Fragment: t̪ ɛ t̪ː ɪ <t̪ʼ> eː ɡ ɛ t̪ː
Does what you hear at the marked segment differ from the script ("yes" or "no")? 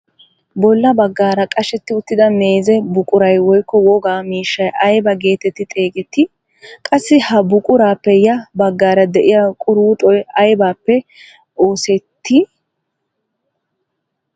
no